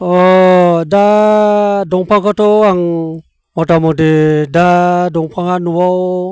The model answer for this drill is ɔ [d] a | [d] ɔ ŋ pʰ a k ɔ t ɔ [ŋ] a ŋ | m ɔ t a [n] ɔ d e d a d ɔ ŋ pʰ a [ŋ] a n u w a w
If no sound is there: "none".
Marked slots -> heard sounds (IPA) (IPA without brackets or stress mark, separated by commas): d, d, none, m, ŋ